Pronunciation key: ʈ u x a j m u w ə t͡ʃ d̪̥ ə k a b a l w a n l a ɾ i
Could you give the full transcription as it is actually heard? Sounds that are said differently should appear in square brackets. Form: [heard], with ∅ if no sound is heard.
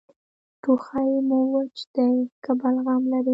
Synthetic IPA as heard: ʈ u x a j m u w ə t͡ʃ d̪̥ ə k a b a l [ɣ] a [m] l a ɾ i